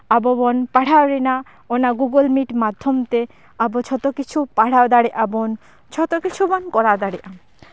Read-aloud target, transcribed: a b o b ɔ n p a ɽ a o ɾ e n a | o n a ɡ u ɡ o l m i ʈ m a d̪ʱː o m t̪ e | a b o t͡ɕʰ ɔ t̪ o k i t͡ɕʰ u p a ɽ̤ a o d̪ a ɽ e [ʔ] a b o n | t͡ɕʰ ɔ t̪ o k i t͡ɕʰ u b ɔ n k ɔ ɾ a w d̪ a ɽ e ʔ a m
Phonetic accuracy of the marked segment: correct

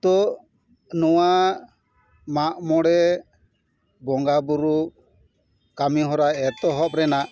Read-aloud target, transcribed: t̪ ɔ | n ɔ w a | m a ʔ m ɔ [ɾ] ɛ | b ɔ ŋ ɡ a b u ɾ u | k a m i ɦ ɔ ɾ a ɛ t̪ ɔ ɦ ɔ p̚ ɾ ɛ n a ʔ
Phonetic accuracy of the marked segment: incorrect: ɽ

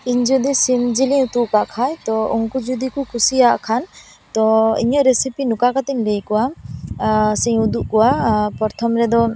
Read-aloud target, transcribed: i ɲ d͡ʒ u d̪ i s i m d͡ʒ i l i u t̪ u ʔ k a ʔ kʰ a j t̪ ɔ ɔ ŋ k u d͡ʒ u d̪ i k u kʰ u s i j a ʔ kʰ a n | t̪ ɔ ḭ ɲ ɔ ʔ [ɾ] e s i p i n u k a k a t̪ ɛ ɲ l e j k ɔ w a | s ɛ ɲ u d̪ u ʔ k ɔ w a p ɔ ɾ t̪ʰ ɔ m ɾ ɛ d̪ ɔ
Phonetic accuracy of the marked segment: correct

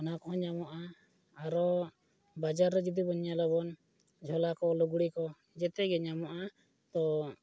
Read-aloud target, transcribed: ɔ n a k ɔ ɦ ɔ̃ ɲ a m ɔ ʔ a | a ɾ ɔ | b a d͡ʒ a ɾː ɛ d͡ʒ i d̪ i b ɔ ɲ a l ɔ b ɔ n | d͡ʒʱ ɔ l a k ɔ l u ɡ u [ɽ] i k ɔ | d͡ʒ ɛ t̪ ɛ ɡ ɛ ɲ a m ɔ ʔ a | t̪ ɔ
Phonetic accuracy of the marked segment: correct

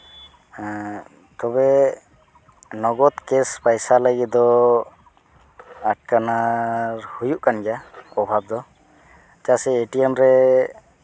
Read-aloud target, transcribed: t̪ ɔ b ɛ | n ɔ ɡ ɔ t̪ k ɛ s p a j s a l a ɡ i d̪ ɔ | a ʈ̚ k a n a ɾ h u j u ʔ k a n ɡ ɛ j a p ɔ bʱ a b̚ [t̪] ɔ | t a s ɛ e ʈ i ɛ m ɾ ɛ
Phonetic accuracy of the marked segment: incorrect: d̪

